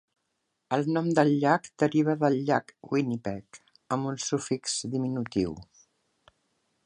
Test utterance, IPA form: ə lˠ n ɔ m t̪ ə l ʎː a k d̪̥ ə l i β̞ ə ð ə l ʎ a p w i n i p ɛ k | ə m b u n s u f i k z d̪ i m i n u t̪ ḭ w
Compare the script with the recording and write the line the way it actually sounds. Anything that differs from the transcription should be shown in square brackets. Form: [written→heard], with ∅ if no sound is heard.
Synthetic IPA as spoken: ə lˠ n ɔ m [t̪→d̪] ə l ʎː a k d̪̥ ə [l→ɾ] i β̞ ə ð ə l ʎ a [p→k] w i n i p ɛ k | ə m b u n s u f i k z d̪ i m i n u t̪ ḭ w